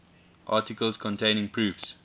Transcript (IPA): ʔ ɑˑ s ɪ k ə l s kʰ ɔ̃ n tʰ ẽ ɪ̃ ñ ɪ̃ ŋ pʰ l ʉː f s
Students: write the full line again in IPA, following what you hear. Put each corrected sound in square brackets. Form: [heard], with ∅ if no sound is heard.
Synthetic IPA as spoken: ʔ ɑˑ [t] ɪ k ə l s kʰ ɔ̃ n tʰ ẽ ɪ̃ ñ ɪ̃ ŋ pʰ [ɹ] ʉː f s